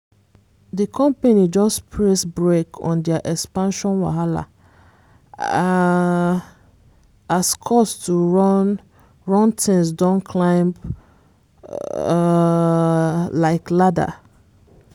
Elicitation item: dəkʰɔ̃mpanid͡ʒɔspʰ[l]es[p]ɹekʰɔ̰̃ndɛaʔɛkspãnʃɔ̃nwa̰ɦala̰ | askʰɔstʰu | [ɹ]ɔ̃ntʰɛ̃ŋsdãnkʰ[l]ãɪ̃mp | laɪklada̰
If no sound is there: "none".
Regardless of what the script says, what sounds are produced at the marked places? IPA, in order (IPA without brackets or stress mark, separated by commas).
ɹ, b, ɹ, l